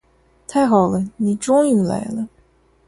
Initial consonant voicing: voiceless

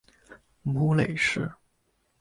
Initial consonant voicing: voiced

